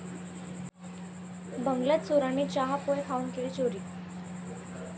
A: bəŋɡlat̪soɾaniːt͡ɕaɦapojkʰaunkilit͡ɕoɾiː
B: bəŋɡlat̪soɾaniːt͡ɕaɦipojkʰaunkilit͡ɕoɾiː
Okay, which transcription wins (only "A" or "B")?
A